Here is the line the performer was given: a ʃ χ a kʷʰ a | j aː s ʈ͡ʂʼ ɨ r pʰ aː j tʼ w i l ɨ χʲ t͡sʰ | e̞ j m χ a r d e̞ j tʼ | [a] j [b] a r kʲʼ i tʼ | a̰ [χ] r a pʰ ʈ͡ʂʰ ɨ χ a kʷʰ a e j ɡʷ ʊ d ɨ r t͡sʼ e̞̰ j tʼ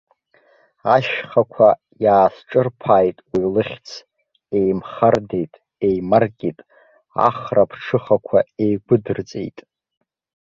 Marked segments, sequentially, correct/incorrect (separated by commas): incorrect, incorrect, correct